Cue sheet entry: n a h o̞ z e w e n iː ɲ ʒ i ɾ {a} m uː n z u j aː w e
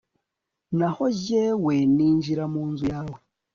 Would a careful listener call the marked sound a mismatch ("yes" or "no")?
no